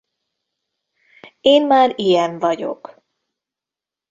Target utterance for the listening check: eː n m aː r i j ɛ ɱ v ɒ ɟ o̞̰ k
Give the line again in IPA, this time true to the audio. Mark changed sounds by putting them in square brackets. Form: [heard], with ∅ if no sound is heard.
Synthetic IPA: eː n m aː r i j ɛ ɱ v ɒ ɟ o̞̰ k